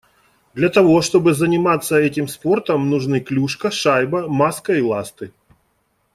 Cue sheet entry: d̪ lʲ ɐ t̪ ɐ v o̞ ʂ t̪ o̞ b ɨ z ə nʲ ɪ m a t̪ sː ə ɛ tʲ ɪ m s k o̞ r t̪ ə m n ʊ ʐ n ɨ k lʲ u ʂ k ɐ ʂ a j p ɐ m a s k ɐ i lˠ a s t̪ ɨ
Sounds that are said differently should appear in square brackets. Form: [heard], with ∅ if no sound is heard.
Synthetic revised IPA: d̪ lʲ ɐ t̪ ɐ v o̞ ʂ t̪ o̞ b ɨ z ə nʲ ɪ m a t̪ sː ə ɛ tʲ ɪ m s [p] o̞ r t̪ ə m n ʊ ʐ n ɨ k lʲ u ʂ k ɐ ʂ a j [b] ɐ m a s k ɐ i lˠ a s t̪ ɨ